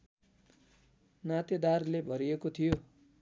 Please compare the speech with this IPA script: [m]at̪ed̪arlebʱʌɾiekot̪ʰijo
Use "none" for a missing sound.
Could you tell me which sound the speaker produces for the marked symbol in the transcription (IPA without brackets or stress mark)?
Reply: n